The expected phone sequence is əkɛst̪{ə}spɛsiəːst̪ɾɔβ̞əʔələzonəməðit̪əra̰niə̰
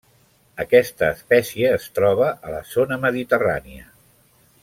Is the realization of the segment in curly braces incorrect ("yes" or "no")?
yes